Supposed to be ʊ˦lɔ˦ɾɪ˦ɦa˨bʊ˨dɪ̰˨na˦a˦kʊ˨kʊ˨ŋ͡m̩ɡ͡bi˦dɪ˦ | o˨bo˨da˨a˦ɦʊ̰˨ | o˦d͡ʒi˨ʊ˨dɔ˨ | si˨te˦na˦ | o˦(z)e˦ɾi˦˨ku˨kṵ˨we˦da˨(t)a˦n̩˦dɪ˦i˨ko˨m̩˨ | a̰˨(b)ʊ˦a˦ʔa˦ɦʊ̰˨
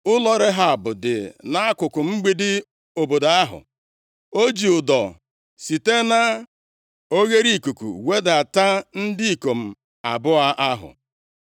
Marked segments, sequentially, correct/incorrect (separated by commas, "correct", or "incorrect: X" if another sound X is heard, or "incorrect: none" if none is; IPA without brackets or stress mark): incorrect: ɣ, correct, correct